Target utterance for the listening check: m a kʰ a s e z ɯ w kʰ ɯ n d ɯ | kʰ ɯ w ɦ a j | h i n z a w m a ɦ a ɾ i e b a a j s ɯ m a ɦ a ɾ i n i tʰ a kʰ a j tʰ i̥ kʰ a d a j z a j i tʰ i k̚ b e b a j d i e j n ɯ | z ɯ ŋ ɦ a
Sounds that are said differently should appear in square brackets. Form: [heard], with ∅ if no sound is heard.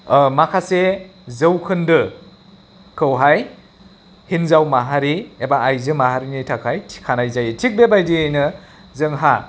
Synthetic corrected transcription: m a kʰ a s e z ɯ w kʰ ɯ n d ɯ | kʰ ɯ w ɦ a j | h i n z a w m a ɦ a ɾ i e b a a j [z] ɯ m a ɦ a ɾ i n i tʰ a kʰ a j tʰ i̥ kʰ a [n] a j z a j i tʰ i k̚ b e b a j d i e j n ɯ | z ɯ ŋ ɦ a